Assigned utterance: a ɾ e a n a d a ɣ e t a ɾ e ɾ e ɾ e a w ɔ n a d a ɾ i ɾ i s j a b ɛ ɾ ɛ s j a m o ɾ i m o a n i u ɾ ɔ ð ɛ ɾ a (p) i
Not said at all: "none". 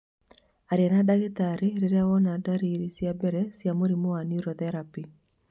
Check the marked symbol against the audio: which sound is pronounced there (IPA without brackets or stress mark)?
p